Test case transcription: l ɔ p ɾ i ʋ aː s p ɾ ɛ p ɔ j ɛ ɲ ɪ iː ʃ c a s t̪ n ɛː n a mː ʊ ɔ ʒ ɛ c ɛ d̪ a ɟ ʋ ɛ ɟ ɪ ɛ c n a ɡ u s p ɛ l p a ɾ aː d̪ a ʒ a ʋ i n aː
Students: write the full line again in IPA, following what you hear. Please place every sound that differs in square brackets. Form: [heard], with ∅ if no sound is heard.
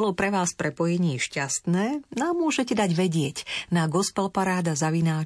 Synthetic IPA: l ɔ p ɾ [ɛ] ʋ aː s p ɾ ɛ p ɔ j ɛ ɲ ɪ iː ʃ c a s t̪ n ɛː n a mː ʊ ɔ ʒ ɛ c ɛ d̪ a ɟ ʋ ɛ ɟ ɪ ɛ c n a ɡ [ɔ] s p ɛ l p a ɾ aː d̪ a [z] a ʋ i n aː